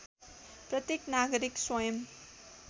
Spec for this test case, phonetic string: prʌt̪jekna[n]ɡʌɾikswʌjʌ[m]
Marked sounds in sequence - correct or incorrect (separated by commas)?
incorrect, correct